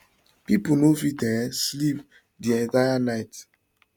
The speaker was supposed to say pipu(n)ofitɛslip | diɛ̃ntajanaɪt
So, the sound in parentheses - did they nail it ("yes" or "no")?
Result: yes